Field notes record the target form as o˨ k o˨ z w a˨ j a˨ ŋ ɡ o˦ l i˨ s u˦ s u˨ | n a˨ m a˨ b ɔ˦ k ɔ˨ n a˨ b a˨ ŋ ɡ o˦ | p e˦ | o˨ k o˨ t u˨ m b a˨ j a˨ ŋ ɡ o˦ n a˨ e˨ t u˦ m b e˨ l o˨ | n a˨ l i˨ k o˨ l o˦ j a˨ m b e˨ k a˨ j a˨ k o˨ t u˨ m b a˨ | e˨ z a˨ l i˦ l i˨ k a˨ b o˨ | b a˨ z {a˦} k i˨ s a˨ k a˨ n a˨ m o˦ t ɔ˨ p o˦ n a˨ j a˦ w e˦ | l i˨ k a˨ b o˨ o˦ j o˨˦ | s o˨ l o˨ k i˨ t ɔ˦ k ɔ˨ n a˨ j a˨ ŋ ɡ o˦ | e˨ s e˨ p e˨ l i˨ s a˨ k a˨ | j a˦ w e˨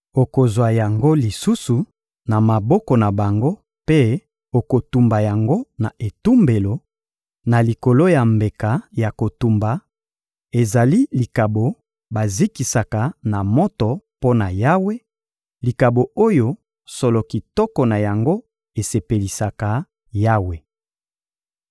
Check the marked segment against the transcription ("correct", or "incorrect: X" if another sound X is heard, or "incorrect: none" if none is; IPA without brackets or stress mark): incorrect: i˦